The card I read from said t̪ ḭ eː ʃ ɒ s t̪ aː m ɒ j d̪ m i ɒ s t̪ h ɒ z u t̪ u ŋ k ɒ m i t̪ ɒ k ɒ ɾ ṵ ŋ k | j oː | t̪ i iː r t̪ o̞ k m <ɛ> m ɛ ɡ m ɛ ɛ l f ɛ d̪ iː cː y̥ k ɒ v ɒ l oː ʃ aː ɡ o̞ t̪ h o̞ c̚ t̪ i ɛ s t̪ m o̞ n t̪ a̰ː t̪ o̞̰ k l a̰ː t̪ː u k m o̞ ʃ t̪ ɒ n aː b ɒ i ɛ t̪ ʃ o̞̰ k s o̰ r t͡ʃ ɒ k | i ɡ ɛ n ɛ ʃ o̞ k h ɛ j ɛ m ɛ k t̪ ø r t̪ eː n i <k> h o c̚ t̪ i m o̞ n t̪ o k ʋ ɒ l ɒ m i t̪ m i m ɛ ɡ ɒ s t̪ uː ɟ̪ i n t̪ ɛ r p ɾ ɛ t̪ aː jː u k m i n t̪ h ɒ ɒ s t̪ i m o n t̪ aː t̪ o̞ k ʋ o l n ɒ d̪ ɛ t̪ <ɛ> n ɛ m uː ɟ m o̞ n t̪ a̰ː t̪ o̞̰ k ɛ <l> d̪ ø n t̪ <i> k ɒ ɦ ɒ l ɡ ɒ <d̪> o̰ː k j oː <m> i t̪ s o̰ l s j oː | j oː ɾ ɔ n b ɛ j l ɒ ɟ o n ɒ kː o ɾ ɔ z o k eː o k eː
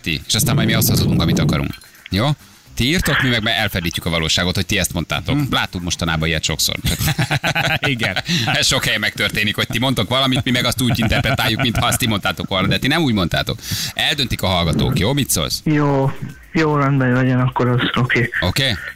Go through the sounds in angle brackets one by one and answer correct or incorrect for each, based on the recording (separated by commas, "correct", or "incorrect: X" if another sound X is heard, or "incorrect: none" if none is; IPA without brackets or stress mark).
incorrect: i, correct, incorrect: i, correct, correct, incorrect: t̪, correct